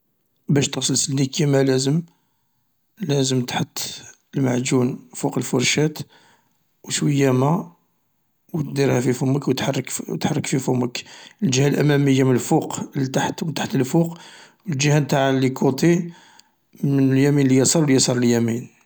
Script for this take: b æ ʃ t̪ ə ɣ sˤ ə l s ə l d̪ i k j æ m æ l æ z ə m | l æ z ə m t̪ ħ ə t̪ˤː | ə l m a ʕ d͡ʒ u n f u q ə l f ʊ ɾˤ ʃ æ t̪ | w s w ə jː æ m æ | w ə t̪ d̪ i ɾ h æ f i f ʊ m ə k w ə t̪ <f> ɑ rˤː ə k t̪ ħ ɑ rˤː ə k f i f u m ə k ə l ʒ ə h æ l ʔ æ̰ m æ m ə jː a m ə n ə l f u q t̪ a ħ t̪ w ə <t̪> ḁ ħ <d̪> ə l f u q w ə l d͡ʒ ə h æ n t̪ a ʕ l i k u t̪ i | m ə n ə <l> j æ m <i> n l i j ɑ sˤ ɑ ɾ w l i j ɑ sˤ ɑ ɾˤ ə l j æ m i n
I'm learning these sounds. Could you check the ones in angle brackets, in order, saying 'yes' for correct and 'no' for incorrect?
no, yes, no, yes, yes

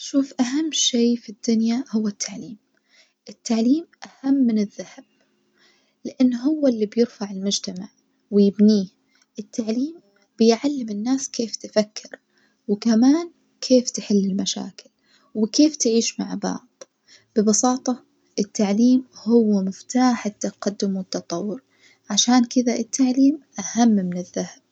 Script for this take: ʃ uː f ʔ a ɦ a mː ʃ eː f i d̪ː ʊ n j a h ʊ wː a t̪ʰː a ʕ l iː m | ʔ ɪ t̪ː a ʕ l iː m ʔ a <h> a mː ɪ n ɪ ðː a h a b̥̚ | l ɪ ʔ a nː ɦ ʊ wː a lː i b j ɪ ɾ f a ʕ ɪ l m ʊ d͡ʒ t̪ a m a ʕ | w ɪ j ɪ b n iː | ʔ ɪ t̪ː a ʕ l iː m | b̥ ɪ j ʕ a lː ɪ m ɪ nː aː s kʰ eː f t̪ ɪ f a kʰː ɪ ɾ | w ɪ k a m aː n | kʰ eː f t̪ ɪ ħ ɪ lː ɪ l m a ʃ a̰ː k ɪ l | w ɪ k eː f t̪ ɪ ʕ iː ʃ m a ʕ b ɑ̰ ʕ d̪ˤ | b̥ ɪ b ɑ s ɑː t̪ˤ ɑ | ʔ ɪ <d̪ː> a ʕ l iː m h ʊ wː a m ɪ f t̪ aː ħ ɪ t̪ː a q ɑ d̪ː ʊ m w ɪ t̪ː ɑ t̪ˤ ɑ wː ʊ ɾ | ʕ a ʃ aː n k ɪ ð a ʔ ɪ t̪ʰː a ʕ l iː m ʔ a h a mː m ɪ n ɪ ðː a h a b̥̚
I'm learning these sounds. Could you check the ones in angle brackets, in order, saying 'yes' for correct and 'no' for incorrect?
yes, no

